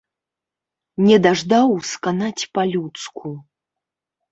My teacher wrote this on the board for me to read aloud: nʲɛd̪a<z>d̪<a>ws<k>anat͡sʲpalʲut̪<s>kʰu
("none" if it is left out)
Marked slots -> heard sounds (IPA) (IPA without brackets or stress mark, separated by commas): ʐ, a, k, s